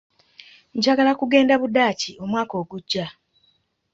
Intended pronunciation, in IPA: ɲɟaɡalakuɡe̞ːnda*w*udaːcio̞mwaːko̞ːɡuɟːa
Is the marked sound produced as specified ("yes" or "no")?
no